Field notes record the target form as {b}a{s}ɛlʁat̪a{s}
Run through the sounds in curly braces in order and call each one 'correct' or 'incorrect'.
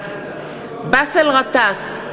correct, correct, correct

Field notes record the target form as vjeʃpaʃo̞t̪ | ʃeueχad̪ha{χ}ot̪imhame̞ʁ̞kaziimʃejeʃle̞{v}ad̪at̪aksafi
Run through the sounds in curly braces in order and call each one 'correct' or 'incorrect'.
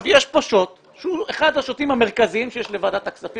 incorrect: ʃ, correct

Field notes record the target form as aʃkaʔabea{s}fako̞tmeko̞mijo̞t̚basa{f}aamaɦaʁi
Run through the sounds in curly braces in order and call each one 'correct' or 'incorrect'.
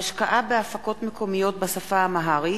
incorrect: none, correct

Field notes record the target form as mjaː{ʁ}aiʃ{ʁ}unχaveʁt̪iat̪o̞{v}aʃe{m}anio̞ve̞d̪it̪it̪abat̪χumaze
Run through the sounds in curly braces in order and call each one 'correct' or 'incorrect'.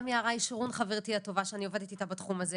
correct, correct, correct, incorrect: none

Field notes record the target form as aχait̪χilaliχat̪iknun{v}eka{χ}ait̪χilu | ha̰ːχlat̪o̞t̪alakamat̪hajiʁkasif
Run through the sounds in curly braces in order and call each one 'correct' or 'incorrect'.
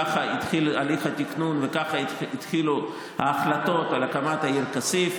correct, correct

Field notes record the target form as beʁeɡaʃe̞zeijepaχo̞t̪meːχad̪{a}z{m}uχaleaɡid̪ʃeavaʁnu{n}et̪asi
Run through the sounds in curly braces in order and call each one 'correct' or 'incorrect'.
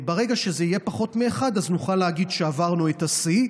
correct, incorrect: n, incorrect: none

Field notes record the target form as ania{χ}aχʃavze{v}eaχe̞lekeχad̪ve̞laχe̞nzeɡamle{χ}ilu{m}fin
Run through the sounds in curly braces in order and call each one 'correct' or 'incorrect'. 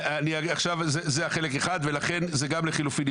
incorrect: none, incorrect: z, correct, incorrect: none

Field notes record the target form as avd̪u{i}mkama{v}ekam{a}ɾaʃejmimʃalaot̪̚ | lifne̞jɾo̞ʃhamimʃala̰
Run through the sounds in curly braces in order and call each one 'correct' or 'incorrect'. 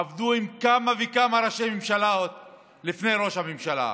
correct, correct, correct

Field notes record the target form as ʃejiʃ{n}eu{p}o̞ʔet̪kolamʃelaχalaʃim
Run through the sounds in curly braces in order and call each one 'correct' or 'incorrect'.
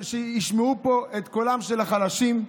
incorrect: m, correct

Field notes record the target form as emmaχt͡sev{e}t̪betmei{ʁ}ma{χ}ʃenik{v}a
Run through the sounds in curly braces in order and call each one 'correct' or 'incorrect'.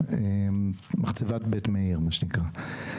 incorrect: a, correct, incorrect: none, incorrect: ʁ

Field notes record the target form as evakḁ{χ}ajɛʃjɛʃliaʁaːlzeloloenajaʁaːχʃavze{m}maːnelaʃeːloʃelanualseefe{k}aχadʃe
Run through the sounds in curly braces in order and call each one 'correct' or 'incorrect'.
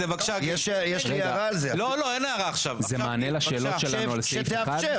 incorrect: ʃ, correct, incorrect: none

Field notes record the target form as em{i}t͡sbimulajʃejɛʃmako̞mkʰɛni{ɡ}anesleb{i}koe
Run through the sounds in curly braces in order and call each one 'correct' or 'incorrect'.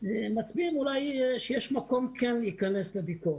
incorrect: a, incorrect: k, correct

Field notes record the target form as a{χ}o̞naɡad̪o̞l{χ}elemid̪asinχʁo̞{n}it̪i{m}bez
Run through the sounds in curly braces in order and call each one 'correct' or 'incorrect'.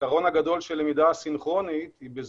incorrect: ʁ, incorrect: ʃ, correct, incorrect: none

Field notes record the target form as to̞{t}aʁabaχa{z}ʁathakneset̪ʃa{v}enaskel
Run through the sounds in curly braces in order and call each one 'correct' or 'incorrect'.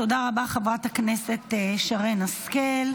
incorrect: d, incorrect: v, incorrect: ʁ

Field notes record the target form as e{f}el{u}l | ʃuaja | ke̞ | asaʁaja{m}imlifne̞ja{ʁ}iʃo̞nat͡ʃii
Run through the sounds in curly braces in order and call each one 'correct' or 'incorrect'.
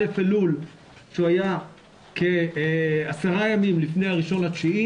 correct, correct, correct, correct

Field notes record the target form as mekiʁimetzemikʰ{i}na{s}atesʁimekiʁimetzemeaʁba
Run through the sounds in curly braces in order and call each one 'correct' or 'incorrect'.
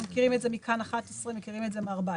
incorrect: a, incorrect: χ

